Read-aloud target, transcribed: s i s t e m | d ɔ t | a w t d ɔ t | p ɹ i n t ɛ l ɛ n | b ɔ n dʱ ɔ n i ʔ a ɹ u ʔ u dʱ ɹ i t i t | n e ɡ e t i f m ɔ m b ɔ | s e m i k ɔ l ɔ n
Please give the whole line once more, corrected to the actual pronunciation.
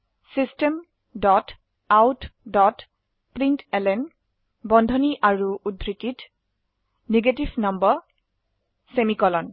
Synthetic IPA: s i s t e m | d ɔ t | a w t d ɔ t | p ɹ i n t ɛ l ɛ n | b ɔ n dʱ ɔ n i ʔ a ɹ u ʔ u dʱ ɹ i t i t | n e ɡ e t i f n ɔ m b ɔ | s e m i k ɔ l ɔ n

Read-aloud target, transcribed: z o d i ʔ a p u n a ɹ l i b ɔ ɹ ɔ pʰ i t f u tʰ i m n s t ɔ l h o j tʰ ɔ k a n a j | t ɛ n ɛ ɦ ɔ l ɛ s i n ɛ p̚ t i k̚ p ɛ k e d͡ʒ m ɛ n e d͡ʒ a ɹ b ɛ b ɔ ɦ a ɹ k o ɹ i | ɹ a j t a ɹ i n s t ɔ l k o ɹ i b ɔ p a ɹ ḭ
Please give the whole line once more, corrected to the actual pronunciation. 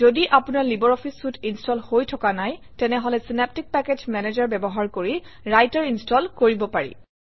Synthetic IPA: z o d i ʔ a p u n a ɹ l i b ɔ ɹ ɔ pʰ i s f u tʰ i n s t ɔ l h o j tʰ ɔ k a n a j | t ɛ n ɛ ɦ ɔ l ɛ s i n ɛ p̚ t i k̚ p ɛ k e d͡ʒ m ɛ n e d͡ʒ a ɹ b ɛ b ɔ ɦ a ɹ k o ɹ i | ɹ a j t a ɹ i n s t ɔ l k o ɹ i b ɔ p a ɹ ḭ

